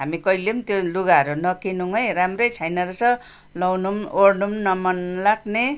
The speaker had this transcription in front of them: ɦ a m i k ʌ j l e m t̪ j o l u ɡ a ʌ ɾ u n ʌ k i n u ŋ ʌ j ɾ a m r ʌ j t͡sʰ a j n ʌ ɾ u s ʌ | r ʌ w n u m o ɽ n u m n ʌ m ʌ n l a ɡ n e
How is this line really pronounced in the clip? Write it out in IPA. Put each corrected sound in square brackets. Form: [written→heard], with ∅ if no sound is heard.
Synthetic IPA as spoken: ɦ a m i k ʌ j l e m t̪ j o l u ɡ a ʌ ɾ u n ʌ k i n u ŋ ʌ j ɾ a m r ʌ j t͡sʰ a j n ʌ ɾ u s ʌ | [r→l] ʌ w n u m o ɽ n u m n ʌ m ʌ n l a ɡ n e